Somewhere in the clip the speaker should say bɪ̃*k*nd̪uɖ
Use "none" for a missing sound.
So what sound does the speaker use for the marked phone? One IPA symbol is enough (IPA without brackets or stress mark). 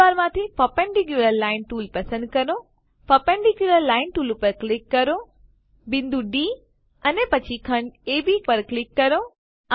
none